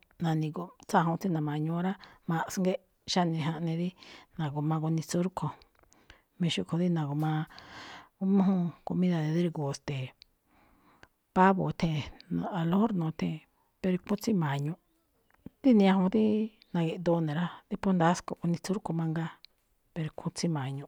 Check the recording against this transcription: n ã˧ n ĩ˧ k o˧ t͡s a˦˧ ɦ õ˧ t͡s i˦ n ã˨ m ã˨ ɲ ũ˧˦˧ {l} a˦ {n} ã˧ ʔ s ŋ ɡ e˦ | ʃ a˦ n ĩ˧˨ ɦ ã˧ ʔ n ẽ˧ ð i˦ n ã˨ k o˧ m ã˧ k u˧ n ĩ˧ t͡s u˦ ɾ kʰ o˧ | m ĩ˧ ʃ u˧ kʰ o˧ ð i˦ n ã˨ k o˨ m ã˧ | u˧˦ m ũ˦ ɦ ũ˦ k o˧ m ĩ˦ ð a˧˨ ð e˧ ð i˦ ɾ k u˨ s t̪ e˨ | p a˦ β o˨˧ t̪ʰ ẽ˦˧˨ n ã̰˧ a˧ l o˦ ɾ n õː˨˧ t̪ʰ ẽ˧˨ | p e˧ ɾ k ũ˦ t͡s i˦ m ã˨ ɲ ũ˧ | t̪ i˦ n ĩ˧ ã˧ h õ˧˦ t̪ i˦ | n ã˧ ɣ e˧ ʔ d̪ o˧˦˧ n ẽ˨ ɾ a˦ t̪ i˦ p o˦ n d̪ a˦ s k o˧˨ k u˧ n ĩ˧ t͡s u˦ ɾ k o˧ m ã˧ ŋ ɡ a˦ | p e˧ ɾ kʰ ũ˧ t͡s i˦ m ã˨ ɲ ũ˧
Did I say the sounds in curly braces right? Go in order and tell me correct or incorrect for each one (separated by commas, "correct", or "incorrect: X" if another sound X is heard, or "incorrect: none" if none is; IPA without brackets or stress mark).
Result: incorrect: ɾ, incorrect: m